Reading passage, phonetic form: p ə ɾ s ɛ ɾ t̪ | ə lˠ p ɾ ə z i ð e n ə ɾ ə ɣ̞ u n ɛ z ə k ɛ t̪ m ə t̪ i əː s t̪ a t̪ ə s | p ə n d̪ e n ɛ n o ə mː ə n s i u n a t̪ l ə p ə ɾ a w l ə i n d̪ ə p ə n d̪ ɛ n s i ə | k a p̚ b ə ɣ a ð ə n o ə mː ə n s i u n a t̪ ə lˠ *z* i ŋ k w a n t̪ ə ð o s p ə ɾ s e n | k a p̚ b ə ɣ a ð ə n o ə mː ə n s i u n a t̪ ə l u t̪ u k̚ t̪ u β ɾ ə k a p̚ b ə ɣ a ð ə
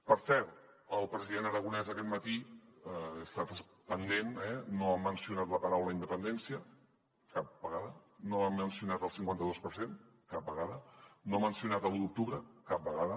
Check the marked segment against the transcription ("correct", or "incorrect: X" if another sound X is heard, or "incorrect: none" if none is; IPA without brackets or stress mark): incorrect: s